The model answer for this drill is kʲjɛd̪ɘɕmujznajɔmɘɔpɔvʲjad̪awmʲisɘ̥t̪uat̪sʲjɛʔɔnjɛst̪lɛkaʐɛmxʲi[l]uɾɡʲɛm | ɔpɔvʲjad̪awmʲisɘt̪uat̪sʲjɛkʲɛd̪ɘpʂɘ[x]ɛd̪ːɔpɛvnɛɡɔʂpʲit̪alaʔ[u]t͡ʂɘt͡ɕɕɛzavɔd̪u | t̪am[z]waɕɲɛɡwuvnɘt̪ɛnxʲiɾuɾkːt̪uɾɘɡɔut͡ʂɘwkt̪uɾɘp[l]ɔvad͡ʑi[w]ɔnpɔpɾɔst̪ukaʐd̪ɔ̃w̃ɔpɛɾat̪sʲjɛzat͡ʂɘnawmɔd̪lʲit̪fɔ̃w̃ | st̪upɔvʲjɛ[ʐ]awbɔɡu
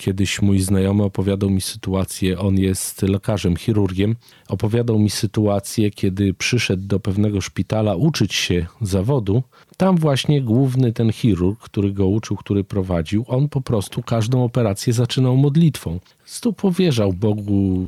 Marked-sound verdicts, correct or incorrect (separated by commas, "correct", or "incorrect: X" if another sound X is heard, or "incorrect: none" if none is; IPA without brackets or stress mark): incorrect: ɾ, incorrect: ʂ, correct, incorrect: v, incorrect: ɾ, correct, correct